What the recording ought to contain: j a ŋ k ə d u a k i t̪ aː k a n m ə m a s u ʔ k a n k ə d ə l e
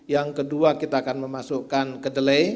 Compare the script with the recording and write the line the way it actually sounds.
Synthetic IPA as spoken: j a ŋ k ə d u a k i t̪ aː k a n m ə m a s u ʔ k a n k ə d ə l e